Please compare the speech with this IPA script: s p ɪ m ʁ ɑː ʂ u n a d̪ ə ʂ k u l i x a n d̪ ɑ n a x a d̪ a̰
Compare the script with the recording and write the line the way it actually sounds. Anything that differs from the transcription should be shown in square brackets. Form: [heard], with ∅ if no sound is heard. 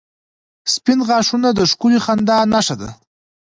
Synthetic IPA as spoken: s p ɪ [n] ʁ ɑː ʂ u n a d̪ ə ʂ k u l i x a n d̪ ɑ n a [ʂ] a d̪ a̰